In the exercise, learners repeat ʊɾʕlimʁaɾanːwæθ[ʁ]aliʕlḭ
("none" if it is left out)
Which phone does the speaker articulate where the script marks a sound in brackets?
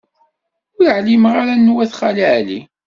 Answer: χ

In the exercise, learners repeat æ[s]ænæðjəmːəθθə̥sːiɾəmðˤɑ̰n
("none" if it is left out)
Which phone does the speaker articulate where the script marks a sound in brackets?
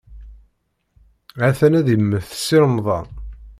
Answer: θ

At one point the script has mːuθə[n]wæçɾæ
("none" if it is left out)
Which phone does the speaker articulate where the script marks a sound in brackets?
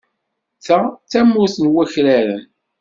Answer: n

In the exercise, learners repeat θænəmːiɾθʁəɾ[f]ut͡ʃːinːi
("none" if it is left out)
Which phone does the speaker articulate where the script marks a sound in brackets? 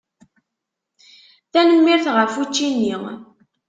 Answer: f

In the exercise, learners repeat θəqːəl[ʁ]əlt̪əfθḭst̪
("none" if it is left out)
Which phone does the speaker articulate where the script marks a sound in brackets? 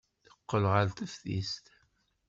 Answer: ʁ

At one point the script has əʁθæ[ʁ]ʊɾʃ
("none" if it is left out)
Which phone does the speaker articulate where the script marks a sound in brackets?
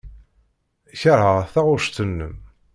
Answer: ʁ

